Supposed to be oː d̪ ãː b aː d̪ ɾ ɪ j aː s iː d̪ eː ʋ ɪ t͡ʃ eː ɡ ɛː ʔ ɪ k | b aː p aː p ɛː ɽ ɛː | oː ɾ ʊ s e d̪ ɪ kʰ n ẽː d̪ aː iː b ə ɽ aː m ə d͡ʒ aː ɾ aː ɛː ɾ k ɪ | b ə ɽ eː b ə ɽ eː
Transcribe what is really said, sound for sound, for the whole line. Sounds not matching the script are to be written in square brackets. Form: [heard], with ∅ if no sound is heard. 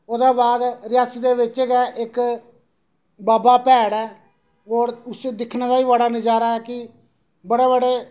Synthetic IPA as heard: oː d̪ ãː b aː d̪ ɾ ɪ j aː s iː d̪ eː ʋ ɪ t͡ʃ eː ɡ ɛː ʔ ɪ k | b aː [b] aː p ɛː ɽ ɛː | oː ɾ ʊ s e d̪ ɪ kʰ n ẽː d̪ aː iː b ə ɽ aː [n] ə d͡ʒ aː ɾ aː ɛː [∅] k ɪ | b ə ɽ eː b ə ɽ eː